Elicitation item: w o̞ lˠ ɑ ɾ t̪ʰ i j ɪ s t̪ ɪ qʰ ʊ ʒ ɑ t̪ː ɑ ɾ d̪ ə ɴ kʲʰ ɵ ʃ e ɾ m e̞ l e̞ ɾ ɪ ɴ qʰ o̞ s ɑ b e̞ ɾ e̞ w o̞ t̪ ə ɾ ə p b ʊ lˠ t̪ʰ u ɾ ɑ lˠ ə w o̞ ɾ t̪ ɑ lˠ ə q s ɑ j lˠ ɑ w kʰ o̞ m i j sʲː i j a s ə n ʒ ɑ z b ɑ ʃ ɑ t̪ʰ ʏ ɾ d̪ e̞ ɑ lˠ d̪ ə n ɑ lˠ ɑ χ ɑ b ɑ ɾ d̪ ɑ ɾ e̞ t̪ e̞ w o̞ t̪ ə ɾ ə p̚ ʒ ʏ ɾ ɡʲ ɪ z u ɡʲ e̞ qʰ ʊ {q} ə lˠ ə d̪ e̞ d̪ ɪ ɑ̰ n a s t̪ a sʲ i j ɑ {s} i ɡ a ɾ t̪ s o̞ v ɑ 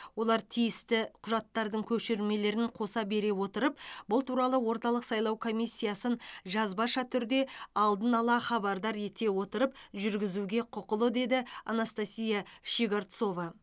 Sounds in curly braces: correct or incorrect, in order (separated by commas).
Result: correct, incorrect